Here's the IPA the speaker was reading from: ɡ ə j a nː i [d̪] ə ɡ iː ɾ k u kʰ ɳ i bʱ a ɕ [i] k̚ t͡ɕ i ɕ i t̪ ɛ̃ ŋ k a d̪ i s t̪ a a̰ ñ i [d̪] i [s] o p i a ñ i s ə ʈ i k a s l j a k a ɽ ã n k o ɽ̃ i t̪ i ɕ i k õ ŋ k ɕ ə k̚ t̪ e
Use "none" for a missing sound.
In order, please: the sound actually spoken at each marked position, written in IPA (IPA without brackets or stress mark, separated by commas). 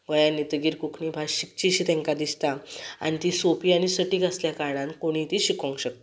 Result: t̪, i, t̪, s